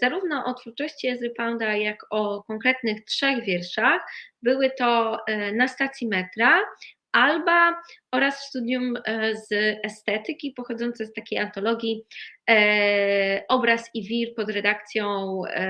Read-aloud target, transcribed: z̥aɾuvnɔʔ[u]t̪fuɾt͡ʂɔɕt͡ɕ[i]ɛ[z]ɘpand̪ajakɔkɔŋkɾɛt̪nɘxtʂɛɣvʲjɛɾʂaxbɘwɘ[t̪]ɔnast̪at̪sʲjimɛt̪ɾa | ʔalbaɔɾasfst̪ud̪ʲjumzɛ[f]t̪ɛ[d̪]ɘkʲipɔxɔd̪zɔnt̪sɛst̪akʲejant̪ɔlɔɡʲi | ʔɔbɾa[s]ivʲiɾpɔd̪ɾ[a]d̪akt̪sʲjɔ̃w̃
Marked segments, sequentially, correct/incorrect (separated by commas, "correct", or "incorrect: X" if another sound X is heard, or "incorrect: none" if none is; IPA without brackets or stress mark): incorrect: ɔ, correct, correct, correct, incorrect: s, incorrect: t̪, correct, incorrect: ɛ